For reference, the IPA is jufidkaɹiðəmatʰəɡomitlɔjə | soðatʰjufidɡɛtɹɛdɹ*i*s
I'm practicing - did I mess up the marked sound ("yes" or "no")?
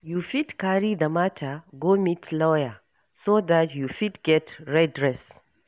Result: yes